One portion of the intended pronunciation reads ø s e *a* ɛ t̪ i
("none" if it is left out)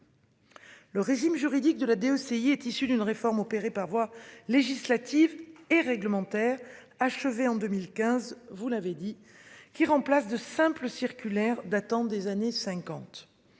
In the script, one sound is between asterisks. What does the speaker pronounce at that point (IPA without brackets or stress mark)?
i